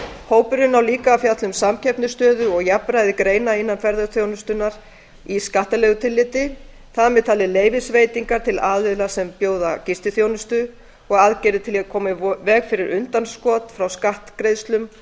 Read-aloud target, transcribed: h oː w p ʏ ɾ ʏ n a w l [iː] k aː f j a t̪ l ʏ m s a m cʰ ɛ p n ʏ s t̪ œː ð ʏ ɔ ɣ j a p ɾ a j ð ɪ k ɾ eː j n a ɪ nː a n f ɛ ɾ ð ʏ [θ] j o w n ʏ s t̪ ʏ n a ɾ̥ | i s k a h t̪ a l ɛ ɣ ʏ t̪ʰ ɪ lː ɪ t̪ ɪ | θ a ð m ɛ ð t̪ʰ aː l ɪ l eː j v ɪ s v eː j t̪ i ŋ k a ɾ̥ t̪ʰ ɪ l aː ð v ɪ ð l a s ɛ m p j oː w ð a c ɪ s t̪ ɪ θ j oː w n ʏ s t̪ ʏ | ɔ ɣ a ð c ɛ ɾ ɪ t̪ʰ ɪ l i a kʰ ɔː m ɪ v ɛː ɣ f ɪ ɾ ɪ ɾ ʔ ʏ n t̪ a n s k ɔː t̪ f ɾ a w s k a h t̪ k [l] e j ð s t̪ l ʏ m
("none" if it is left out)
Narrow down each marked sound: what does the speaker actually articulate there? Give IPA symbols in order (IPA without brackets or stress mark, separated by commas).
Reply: iː, θ, ɾ